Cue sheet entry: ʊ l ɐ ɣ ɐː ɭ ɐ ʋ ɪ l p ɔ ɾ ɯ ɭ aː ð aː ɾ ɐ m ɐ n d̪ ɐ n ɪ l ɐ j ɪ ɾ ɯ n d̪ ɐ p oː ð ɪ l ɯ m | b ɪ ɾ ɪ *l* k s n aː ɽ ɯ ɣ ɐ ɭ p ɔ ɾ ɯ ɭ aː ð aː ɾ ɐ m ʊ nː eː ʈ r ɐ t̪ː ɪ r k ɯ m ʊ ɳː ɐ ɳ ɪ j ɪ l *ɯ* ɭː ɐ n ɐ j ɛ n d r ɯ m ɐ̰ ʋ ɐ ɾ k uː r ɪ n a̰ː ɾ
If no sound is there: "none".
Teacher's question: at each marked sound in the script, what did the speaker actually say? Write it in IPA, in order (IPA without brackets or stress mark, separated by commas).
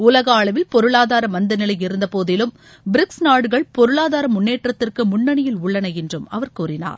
none, ʊ